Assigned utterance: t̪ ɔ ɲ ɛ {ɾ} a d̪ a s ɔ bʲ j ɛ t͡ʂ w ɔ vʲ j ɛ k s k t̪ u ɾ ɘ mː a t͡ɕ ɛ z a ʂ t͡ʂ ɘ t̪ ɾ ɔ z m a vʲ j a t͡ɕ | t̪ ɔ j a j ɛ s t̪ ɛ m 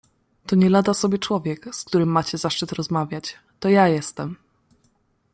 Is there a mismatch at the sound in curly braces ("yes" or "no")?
yes